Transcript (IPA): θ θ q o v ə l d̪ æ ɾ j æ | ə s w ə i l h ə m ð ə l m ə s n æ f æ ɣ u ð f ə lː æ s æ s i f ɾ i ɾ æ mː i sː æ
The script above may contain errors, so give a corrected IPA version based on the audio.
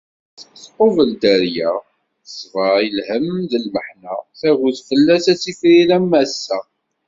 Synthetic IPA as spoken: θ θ q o v ə l d̪ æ ɾ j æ | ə s v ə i l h ə m ð ə l m ə ħ n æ θ æ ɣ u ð f ə lː æ s æ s i f ɾ i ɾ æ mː æ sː æ